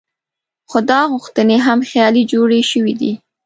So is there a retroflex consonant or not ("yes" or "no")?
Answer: yes